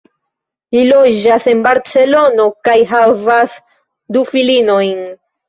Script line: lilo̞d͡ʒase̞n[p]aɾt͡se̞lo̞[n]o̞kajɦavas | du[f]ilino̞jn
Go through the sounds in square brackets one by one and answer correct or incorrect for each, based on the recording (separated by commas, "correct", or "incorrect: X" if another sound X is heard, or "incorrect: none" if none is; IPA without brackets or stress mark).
incorrect: b, correct, correct